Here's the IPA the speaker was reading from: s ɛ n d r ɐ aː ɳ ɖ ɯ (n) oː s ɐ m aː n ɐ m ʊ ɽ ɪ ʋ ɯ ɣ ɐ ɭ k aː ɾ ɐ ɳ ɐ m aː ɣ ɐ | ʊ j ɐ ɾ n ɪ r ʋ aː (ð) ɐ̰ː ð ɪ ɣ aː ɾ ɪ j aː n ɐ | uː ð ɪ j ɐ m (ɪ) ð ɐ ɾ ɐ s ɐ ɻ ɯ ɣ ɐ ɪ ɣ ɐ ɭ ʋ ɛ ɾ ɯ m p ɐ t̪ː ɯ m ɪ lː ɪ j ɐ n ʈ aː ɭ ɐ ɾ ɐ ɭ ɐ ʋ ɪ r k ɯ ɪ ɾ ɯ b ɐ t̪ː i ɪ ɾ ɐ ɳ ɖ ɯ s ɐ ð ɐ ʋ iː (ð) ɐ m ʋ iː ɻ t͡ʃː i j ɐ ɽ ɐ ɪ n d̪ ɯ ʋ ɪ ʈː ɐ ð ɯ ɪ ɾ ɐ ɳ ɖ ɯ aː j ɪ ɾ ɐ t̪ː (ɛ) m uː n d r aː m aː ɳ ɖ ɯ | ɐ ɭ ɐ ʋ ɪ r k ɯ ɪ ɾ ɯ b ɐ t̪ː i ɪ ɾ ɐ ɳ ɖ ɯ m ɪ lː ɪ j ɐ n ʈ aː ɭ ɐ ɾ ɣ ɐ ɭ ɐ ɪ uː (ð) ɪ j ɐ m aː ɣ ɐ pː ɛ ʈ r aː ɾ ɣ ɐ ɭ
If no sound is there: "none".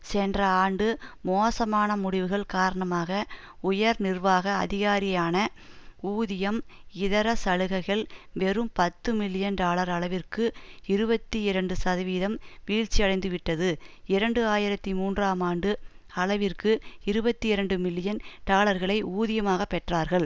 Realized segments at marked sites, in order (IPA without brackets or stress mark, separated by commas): m, ɣ, ɪ, ð, i, ð